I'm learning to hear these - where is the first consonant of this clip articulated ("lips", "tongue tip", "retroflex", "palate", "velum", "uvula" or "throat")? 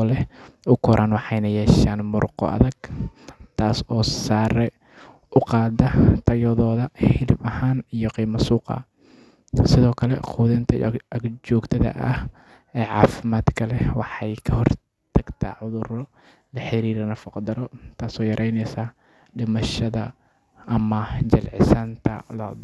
tongue tip